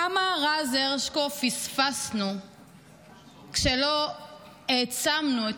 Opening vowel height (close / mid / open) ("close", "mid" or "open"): open